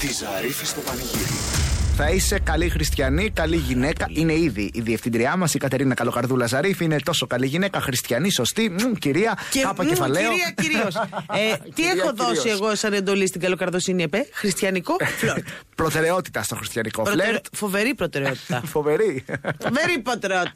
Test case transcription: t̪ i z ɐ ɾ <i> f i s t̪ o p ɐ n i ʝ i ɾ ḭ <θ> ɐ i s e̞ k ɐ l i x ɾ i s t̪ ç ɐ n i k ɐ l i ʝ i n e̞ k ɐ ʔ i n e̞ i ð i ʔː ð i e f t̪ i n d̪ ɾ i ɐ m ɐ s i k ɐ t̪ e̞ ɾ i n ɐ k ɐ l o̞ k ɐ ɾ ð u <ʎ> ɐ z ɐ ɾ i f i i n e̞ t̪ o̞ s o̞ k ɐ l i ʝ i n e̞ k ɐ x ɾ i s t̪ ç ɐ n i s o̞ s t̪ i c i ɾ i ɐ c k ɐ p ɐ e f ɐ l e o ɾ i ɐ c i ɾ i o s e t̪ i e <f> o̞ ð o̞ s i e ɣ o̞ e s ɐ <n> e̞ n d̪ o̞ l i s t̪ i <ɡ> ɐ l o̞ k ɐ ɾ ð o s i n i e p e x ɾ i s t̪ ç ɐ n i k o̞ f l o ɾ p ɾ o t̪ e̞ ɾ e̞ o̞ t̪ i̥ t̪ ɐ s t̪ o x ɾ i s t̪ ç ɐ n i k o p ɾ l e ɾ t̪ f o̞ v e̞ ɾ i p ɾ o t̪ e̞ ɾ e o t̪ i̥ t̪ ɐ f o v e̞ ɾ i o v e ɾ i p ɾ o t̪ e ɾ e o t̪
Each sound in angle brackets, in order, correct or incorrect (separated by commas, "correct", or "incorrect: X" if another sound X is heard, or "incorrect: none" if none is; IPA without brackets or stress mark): correct, correct, incorrect: l, incorrect: x, correct, correct